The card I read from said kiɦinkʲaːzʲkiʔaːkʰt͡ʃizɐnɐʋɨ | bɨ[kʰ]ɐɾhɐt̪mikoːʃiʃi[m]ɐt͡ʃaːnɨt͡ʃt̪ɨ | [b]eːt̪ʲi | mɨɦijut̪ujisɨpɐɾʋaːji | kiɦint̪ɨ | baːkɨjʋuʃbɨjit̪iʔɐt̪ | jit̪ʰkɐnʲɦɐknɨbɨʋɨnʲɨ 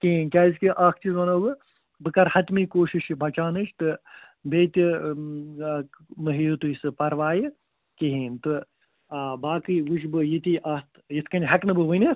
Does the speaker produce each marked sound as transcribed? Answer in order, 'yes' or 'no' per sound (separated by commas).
no, no, yes